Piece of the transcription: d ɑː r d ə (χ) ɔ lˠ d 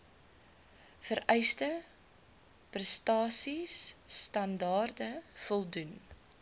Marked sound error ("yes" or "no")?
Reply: yes